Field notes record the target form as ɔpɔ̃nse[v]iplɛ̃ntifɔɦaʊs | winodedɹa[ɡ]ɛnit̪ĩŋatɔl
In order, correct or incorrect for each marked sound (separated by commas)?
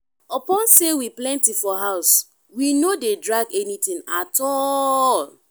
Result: incorrect, correct